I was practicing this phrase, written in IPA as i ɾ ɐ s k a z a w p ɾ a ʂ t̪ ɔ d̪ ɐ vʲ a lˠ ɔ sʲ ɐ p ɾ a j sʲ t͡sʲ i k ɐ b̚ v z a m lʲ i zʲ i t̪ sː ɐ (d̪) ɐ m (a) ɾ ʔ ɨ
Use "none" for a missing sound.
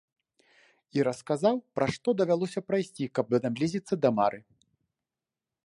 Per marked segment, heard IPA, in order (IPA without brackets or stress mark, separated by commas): d̪, a